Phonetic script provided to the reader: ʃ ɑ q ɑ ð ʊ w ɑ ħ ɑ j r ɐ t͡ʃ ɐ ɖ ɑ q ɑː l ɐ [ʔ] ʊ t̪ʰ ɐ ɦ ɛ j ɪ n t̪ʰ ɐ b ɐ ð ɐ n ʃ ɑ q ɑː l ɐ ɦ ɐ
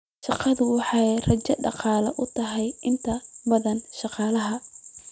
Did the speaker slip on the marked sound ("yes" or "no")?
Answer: no